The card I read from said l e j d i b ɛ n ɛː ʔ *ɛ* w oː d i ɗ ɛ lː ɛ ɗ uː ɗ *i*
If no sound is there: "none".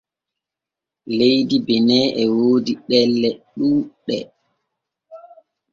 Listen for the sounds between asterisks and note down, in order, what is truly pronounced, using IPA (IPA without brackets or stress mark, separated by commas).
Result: ɛ, ɛ